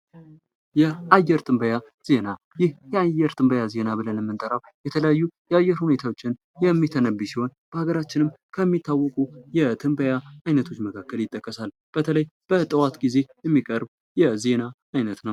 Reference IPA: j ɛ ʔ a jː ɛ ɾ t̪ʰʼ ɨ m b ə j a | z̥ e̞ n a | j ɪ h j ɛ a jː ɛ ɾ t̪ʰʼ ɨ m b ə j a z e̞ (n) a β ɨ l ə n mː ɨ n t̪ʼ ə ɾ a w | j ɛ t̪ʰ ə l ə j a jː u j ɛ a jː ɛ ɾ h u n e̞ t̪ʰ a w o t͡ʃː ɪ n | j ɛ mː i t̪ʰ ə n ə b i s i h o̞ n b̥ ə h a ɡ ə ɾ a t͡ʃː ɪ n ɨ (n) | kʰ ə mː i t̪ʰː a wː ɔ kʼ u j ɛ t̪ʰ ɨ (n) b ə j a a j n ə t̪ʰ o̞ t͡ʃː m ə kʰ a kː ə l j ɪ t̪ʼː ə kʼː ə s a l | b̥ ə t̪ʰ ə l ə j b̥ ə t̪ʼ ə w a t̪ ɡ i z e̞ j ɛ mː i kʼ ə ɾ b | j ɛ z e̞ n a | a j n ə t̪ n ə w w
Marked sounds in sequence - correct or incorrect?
correct, incorrect: m, incorrect: m

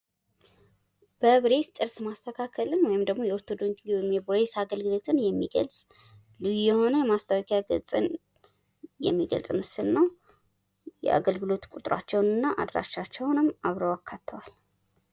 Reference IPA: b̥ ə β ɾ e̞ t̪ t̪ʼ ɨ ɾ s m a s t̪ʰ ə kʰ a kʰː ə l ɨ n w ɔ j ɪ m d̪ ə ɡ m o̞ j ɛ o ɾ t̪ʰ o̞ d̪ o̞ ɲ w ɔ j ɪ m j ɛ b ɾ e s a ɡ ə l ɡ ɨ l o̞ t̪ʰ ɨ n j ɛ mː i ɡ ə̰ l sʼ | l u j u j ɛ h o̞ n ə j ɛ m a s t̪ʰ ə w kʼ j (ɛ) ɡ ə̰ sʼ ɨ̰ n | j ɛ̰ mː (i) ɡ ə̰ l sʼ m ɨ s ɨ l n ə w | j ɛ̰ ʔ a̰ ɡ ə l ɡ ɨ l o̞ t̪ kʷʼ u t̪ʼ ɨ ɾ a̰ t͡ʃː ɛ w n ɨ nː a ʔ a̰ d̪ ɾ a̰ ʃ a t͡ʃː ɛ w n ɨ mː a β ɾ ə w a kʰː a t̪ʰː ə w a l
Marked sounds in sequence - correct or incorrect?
incorrect: a, correct

